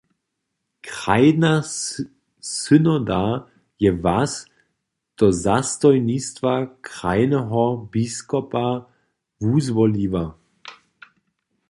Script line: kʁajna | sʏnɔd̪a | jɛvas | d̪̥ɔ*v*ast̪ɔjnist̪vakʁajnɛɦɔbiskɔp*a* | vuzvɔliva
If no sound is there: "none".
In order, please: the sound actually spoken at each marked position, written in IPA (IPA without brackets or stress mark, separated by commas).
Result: z, a